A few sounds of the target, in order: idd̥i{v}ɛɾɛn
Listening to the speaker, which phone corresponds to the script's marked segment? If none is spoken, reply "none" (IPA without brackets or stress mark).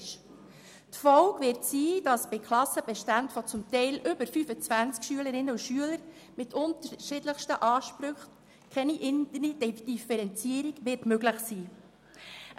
f